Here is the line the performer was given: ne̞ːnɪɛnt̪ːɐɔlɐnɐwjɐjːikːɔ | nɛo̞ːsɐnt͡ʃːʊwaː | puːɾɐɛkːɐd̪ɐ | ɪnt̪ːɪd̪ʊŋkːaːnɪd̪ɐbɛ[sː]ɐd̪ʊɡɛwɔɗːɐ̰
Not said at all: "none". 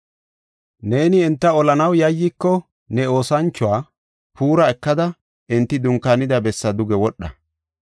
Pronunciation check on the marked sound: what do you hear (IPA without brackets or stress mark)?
sː